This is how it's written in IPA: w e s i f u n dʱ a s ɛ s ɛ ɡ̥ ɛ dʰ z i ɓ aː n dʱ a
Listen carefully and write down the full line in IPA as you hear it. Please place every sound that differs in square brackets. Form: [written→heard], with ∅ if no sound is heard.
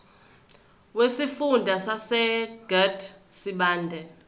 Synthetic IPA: w e s i f u n dʱ a s [ɛ→a] s ɛ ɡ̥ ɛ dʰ [z→s] i ɓ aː n dʱ [a→ɛ]